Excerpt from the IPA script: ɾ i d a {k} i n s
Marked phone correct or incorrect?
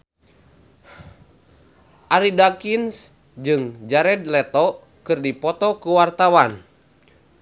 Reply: correct